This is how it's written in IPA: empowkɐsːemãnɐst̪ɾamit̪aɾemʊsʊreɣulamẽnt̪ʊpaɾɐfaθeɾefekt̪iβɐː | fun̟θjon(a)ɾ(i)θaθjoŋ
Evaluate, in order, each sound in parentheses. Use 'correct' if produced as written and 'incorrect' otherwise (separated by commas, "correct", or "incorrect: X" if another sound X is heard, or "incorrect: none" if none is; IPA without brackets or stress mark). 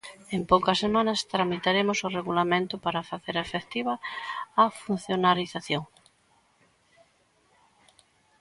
correct, correct